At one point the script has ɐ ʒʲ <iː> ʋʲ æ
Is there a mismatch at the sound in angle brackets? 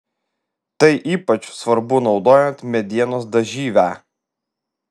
no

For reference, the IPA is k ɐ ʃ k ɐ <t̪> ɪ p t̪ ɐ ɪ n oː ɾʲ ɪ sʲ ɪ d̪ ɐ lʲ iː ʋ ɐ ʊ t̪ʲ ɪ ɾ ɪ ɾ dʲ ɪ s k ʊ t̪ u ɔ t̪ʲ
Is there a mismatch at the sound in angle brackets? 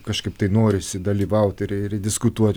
yes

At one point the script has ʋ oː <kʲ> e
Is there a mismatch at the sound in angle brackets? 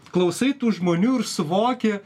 no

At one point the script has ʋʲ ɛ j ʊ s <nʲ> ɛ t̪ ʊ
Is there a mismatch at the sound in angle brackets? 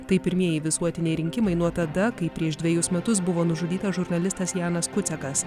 yes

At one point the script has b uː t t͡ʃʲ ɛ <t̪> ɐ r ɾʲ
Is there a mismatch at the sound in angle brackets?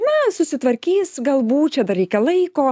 yes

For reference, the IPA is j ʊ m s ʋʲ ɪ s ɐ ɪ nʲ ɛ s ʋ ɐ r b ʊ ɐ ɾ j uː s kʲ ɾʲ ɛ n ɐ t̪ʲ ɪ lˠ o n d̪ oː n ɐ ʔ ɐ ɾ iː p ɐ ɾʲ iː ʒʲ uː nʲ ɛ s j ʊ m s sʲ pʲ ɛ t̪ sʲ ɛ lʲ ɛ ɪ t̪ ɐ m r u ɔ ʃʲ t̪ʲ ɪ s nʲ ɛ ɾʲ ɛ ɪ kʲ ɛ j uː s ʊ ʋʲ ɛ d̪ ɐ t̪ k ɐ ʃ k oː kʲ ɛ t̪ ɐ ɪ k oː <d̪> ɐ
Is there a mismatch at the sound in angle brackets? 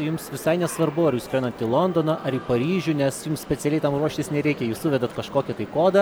no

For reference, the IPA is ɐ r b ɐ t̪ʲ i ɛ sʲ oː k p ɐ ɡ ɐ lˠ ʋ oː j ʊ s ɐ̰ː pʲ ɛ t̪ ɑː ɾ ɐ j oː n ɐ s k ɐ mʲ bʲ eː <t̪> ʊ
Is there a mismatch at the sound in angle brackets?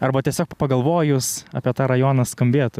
no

